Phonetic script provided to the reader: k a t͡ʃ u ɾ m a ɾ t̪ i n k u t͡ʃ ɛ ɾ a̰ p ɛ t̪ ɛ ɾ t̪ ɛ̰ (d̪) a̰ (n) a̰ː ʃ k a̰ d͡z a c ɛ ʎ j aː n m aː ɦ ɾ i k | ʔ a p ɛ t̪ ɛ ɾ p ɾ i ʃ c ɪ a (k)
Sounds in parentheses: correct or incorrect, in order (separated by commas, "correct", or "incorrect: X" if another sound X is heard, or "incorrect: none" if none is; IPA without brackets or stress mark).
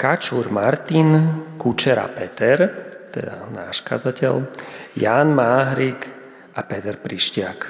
correct, correct, correct